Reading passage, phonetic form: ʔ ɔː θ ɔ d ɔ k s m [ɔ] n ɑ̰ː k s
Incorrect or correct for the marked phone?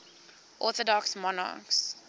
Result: correct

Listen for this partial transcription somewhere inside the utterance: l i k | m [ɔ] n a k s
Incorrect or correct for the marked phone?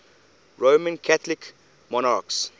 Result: correct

